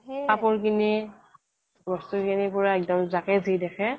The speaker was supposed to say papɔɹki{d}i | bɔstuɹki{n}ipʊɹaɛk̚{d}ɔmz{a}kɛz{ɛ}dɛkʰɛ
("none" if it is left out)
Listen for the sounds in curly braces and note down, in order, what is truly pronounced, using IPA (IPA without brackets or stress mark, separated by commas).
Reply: n, n, d, a, i